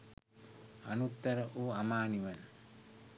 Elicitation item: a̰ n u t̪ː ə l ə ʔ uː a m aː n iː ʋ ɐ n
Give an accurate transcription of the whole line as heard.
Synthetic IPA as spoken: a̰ n u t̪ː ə ɾ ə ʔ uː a m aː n i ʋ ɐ n